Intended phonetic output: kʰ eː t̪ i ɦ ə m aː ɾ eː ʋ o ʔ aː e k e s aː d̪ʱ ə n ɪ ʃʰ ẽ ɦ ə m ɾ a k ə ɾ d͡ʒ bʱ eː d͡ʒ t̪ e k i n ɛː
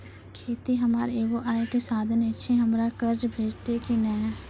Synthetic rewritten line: kʰ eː t̪ i ɦ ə m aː ɾ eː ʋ o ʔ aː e k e s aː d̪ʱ ə n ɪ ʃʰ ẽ ɦ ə m ɾ a k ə ɾ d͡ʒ bʱ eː d͡ʒ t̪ e k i n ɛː

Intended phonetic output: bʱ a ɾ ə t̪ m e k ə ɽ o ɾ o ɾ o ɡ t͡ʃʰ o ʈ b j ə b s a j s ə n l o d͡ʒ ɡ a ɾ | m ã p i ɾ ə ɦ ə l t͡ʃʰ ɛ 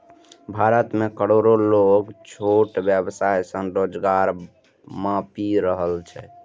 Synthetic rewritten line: bʱ a ɾ ə t̪ m e k ə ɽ o ɾ o l o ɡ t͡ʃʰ o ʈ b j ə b s a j s ə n ɾ o d͡ʒ ɡ a ɾ | m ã p i ɾ ə ɦ ə l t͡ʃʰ ɛ

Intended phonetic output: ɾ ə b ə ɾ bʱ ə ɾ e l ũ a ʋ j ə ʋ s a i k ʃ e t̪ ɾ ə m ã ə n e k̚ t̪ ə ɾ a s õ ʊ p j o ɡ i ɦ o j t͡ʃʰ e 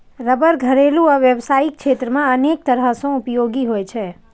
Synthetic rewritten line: ɾ ə b ə ɾ ɡʱ ə ɾ e l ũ a ʋ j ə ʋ s a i k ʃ e t̪ ɾ ə m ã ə n e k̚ t̪ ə ɾ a s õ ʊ p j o ɡ i ɦ o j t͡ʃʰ e

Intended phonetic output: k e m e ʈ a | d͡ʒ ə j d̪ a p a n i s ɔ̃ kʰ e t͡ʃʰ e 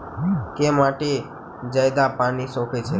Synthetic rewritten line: k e m a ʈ e | d͡ʒ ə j d̪ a p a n i s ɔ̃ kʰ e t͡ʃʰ e

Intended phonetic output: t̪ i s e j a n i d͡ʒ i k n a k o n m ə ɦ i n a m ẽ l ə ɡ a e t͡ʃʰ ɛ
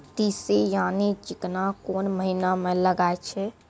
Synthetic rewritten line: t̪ i s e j a n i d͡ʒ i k n a k o n m ə ɦ i n a m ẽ l ə ɡ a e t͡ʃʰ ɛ

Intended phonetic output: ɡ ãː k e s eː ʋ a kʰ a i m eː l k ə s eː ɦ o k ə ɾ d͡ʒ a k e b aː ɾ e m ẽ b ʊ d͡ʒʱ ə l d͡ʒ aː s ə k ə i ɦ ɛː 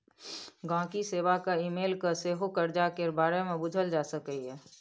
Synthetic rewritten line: ɡ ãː k i s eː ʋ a k a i m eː l k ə s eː ɦ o k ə ɾ d͡ʒ a k e b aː ɾ e m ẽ b ʊ d͡ʒʱ ə l d͡ʒ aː s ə k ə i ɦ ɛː

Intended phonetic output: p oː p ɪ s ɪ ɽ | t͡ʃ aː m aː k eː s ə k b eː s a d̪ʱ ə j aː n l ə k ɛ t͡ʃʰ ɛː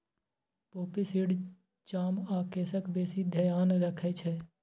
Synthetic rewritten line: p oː p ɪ s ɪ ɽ | t͡ʃ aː m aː k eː s ə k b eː s i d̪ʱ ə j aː n ɾ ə kʰ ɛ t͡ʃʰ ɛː

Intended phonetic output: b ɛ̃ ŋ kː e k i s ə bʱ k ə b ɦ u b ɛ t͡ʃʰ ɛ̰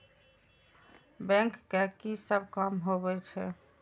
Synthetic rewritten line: b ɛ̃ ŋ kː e k i s ə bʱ k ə m ɦ o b ɛ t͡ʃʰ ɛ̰

